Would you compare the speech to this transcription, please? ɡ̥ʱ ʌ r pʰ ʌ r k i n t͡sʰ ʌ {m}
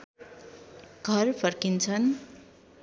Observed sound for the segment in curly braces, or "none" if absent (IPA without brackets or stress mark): n